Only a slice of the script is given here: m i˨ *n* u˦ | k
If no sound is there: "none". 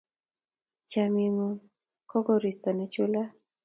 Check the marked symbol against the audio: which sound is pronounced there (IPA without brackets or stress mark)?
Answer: m